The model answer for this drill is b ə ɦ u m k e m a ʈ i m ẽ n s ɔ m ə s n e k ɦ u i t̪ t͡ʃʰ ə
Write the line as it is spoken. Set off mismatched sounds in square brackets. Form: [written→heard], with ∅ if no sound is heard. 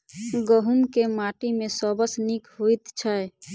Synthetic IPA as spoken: [b→ɡ] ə ɦ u m k e m a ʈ i m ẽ [n→∅] s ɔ [m→b] ə s n [e→i] k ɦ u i t̪ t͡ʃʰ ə